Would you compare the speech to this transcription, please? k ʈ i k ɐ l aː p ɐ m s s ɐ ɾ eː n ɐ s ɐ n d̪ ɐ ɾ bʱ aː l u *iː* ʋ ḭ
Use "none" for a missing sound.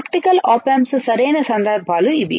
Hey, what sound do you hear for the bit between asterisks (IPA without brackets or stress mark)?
i